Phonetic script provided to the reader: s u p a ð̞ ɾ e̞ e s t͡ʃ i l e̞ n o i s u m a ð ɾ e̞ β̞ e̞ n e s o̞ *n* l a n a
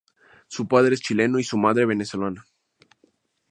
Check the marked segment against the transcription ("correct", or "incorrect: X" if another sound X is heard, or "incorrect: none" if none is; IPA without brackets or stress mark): incorrect: none